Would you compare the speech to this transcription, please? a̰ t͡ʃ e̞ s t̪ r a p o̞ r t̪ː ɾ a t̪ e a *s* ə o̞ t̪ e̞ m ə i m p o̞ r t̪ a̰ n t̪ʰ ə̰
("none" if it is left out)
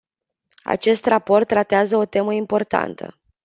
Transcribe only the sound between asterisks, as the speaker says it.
z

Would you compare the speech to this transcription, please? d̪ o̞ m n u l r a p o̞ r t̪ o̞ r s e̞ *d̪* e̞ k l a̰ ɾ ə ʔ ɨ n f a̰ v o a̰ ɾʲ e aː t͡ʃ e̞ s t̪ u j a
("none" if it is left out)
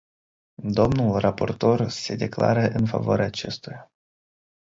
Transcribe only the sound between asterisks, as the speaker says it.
d̪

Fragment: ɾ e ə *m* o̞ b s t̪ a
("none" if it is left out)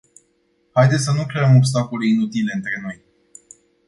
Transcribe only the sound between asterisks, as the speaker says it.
m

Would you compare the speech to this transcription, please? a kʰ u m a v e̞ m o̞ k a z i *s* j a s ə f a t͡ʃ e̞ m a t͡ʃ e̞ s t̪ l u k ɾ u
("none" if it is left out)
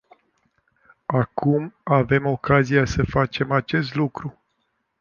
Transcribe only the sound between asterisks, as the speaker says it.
none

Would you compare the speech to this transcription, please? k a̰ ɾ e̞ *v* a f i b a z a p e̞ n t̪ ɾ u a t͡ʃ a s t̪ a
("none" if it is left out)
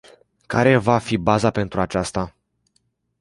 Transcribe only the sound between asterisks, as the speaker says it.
v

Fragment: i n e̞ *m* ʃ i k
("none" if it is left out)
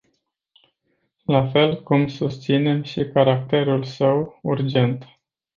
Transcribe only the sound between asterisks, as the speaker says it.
m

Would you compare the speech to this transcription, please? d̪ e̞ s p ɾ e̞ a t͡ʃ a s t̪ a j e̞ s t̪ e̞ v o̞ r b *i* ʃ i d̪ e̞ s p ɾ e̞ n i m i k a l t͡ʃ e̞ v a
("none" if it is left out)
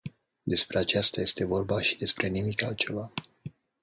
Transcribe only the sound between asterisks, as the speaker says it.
a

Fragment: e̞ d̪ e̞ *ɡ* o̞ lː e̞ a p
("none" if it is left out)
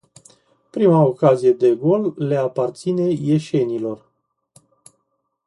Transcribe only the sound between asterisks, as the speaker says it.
ɡ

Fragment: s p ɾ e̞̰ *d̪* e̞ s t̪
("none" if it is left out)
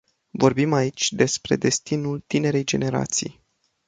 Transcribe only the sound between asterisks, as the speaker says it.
d̪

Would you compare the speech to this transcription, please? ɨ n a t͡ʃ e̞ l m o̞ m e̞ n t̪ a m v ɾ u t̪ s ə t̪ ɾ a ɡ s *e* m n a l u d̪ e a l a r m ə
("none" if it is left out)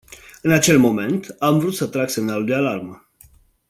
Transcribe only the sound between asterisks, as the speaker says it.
e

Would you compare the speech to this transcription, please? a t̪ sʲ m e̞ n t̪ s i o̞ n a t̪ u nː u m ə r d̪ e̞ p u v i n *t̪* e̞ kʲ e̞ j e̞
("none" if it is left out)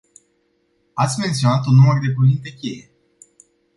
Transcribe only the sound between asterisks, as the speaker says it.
t̪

